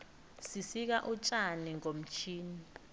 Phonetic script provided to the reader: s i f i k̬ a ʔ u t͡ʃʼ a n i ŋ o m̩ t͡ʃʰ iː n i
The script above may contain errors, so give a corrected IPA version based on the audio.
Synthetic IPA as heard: s i s i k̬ a ʔ u t͡ʃʼ a n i ŋ o m̩ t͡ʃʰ iː n i

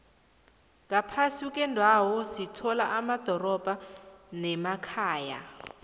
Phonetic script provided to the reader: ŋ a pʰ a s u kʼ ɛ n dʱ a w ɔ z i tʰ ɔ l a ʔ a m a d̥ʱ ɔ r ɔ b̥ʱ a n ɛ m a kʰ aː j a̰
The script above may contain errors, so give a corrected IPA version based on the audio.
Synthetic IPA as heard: ŋ a pʰ a s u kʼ ɛ n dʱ a w ɔ s i tʰ ɔ l a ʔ a m a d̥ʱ ɔ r ɔ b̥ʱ a n ɛ m a kʰ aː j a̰

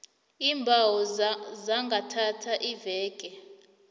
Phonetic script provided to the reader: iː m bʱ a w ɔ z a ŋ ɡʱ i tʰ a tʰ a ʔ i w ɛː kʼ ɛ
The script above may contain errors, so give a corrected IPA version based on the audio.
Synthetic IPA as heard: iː m bʱ a w ɔ z a ŋ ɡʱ a tʰ a tʰ a ʔ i v ɛː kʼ ɛ

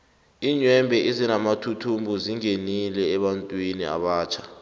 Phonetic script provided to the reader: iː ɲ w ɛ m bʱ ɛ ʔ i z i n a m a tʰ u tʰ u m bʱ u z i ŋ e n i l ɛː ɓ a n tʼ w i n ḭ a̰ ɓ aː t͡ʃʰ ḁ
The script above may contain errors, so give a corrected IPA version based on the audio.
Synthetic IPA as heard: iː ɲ w ɛ m bʱ ɛ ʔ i z i n a m a tʰ u tʰ u m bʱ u z i ŋ e n i l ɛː ɓ a n tʼ w i n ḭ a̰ ɓ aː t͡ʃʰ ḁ

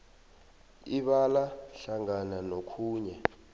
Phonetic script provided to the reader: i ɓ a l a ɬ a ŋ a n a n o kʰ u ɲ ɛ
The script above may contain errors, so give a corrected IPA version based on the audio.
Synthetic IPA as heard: i ɓ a l a ɬ a ŋ a n a n o kʰ uː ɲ ɛ

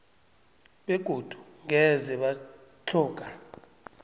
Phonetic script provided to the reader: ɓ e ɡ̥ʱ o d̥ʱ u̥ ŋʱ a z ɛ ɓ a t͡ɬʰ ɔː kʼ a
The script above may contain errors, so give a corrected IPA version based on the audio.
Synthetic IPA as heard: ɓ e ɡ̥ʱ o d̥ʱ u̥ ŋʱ ɛ z ɛ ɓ a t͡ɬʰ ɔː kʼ a

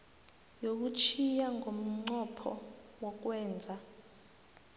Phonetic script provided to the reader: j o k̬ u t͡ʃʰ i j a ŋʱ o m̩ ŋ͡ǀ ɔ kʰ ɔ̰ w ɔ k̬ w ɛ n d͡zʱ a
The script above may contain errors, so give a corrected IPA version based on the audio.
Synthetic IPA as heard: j o k̬ u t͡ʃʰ i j a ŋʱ o m̩ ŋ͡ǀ ɔ pʰ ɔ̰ w ɔ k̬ w ɛː n d͡zʱ a

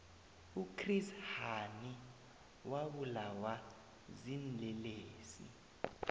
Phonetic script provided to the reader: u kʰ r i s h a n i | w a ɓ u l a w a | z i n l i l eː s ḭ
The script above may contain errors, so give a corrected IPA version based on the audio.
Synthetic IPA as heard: u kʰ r i s h a n i | w a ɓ u l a w a | z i n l ɛ l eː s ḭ

